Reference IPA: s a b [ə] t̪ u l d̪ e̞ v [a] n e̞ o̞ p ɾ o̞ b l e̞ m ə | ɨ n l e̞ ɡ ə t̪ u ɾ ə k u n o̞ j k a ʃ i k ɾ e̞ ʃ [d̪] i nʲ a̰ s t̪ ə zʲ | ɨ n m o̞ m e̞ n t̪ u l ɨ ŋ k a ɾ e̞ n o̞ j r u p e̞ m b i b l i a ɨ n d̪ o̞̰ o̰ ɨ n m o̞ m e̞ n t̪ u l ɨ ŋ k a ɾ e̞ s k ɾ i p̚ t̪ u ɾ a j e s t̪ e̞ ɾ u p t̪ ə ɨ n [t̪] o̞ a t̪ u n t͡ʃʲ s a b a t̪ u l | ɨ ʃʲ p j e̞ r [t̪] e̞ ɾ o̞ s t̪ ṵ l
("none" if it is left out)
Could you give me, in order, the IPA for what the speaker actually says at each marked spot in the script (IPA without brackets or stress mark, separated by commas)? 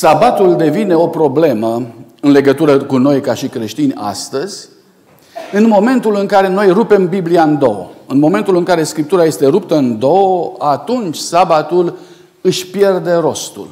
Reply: a, i, t̪, d̪, d̪